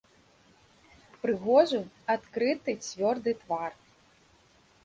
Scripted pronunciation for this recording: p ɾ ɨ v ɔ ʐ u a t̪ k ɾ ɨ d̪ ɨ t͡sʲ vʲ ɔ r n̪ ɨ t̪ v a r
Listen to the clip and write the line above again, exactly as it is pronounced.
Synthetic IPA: p ɾ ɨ ɣ ɔ ʐ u a t̪ k ɾ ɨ t̪ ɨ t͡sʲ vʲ ɔ r d̪ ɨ t̪ v a r